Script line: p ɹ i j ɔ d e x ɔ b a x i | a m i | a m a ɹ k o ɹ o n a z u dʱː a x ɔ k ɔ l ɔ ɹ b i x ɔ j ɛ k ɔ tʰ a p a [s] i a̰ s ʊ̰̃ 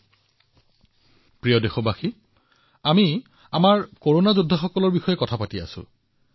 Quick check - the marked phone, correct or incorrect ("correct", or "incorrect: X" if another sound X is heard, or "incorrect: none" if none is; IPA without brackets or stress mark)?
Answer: incorrect: t